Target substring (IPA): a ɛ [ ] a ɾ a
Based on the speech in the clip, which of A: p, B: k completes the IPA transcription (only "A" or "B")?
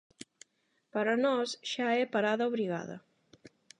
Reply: A